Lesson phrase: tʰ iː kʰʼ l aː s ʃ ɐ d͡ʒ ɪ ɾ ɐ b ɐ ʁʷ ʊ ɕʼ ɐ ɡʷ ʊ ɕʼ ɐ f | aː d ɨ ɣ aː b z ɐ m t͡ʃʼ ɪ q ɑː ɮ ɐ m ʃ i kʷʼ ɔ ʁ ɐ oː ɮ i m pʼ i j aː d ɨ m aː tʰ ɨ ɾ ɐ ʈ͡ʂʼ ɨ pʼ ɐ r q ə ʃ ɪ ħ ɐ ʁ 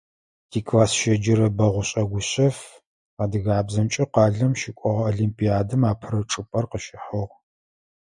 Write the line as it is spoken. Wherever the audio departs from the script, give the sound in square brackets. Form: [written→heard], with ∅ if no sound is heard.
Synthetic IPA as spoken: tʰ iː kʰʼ l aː s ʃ ɐ d͡ʒ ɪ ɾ ɐ b ɐ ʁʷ ʊ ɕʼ ɐ ɡʷ ʊ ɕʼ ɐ f | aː d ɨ ɣ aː b z ɐ m t͡ʃʼ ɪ q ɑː ɮ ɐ m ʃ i kʷʼ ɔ ʁ ɐ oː ɮ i m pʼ i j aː d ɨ m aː [tʰ→pʰ] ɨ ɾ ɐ ʈ͡ʂʼ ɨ pʼ ɐ r q ə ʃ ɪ ħ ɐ ʁ